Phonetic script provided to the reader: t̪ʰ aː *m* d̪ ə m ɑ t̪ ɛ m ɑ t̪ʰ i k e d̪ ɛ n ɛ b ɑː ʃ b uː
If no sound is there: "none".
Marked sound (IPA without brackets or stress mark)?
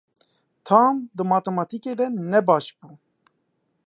m